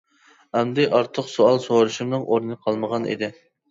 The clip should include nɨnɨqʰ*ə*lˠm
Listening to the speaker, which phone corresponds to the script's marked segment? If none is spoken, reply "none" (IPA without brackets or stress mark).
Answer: ɑ